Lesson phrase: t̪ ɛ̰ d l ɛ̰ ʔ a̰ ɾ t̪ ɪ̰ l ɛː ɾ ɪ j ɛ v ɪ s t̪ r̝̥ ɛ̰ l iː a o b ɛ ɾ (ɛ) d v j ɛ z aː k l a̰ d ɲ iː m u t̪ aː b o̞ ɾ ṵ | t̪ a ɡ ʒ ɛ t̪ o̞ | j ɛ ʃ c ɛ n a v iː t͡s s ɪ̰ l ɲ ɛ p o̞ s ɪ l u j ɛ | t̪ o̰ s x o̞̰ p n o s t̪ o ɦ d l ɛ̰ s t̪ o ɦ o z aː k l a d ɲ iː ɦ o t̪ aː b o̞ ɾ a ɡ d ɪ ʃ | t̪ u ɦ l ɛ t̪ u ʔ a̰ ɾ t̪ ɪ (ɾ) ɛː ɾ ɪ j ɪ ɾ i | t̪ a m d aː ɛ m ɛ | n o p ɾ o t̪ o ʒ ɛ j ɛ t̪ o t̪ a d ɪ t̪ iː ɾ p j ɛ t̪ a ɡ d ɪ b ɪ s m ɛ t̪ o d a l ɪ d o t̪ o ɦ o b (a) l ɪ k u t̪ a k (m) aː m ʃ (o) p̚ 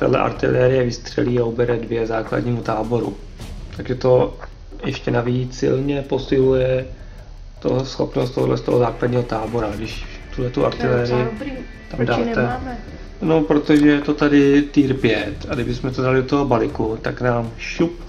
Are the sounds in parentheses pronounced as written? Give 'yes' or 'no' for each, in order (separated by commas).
yes, no, yes, no, no